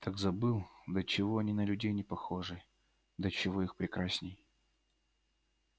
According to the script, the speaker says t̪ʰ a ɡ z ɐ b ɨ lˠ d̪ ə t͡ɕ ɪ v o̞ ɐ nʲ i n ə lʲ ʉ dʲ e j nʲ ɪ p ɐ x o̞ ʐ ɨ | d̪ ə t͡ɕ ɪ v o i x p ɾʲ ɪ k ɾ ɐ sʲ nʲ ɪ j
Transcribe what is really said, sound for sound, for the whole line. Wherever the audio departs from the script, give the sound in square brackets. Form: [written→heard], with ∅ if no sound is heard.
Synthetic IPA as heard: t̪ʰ a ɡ z ɐ b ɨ lˠ d̪ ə t͡ɕ ɪ v o̞ ɐ nʲ i n ə lʲ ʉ dʲ e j nʲ ɪ p ɐ x o̞ ʐ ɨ | d̪ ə t͡ɕ ɪ v o i x p ɾʲ ɪ k ɾ [ɐ→a] sʲ nʲ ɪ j